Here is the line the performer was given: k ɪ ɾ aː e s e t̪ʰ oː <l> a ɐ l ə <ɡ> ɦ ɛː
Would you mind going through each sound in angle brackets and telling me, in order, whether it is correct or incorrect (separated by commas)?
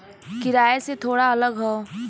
incorrect, correct